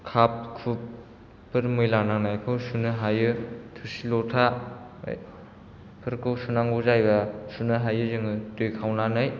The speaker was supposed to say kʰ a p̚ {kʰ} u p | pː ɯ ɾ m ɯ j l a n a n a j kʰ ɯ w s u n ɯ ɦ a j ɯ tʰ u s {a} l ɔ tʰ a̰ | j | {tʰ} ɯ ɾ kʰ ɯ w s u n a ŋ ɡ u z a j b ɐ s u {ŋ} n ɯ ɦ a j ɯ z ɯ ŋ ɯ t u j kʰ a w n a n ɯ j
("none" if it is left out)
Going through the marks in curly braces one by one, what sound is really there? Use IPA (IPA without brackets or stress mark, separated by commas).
kʰ, i, pʰ, none